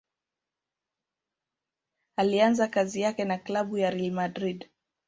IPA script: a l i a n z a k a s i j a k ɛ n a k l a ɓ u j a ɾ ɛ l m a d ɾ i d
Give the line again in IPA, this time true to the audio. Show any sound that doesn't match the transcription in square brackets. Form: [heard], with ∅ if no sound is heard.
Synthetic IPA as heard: a l i a n z a k a [z] i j a k ɛ n a k l a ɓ u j a ɾ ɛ l m a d ɾ i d